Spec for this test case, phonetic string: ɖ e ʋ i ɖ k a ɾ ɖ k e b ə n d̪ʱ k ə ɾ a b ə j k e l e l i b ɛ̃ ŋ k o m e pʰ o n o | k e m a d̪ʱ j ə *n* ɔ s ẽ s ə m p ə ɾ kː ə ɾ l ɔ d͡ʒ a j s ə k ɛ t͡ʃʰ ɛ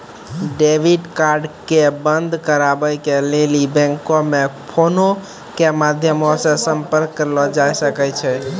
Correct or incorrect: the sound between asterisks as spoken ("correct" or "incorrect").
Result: incorrect